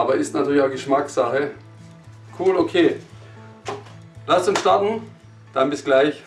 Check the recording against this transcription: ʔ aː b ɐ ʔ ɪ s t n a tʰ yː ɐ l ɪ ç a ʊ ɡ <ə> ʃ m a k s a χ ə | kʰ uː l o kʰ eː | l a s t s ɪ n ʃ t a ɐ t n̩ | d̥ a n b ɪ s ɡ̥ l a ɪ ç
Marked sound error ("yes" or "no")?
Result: no